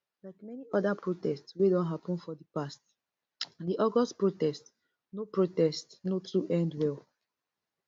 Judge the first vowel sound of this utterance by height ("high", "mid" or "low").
low